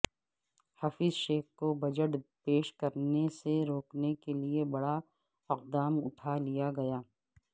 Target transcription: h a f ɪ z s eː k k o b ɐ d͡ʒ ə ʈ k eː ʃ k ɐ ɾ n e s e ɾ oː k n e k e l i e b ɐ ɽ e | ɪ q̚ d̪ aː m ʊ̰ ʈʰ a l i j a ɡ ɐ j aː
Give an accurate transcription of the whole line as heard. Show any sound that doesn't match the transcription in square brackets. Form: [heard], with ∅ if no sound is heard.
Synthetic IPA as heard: h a f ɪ z [ʃ] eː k k o b ɐ d͡ʒ ə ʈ [p] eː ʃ k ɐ ɾ n e s e ɾ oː k n e k e l i e b ɐ ɽ [a] | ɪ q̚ d̪ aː m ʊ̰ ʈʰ a l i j a ɡ ɐ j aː